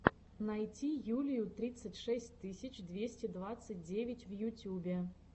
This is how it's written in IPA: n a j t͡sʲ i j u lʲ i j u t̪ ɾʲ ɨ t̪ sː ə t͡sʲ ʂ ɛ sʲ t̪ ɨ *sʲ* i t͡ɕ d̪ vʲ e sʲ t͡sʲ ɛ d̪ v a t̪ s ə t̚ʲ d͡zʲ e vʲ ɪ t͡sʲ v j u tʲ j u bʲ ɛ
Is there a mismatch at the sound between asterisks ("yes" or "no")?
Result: no